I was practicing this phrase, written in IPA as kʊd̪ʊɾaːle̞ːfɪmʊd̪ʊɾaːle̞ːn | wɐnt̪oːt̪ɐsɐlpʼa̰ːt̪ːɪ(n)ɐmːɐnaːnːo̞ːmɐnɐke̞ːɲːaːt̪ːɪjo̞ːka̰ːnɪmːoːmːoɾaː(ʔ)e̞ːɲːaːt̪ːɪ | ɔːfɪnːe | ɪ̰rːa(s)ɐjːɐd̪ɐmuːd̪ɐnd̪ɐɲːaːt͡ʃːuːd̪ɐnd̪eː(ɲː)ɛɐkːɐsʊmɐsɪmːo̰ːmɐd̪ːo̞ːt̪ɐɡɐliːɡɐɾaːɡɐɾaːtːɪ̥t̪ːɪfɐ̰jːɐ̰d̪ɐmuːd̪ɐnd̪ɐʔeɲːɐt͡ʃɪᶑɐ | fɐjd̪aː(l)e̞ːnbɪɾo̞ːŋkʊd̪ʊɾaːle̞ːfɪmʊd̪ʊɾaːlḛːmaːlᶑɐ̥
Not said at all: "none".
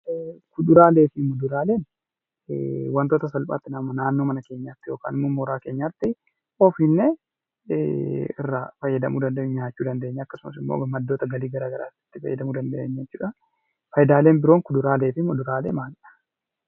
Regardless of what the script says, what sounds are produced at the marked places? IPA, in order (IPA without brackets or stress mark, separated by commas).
n, k, f, ɲː, l